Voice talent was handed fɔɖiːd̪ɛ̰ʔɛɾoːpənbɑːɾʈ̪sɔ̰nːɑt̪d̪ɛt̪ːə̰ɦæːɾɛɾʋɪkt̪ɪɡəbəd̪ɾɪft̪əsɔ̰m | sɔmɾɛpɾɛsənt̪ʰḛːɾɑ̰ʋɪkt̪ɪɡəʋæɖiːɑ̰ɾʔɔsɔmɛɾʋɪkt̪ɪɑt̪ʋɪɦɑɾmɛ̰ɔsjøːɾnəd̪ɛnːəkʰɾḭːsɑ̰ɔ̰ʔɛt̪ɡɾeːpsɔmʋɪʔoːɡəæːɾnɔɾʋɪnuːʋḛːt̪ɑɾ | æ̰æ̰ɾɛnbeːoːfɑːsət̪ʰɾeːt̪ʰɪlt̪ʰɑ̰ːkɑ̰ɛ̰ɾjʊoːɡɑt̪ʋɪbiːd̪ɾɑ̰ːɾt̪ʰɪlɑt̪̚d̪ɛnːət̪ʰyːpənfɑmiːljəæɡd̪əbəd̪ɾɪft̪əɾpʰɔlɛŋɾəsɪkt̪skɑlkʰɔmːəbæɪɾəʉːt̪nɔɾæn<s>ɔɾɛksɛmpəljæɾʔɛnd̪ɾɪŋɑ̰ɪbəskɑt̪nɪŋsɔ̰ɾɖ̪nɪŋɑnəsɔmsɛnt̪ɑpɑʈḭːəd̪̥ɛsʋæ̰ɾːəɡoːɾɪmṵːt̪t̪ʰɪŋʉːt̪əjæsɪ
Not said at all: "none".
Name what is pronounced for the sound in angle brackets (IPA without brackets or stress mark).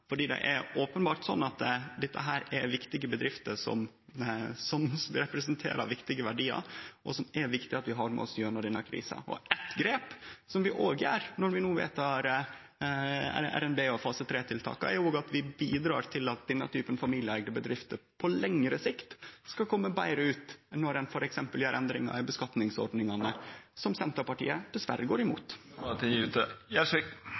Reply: f